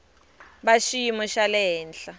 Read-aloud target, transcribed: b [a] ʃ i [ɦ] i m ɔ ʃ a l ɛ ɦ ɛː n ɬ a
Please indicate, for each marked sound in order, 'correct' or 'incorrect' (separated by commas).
correct, incorrect